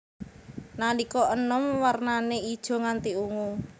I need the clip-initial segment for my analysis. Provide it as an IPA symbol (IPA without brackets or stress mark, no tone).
n